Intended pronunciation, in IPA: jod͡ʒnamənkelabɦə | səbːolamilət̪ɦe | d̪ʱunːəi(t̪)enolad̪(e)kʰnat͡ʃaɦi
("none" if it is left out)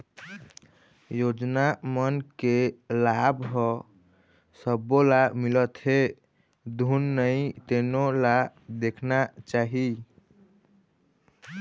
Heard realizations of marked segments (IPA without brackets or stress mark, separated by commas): t̪, e